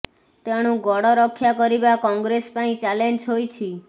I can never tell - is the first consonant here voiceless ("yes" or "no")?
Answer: yes